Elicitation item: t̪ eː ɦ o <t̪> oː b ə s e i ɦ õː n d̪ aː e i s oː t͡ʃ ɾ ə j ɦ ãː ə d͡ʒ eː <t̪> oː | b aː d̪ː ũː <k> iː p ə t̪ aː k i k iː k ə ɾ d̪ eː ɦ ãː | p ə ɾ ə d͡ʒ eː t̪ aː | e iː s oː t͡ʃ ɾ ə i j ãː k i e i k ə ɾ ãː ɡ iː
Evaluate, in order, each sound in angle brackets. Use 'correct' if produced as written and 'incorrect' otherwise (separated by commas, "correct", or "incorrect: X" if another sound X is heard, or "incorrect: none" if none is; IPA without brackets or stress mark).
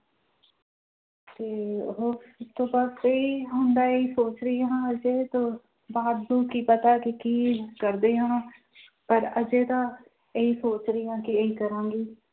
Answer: correct, correct, correct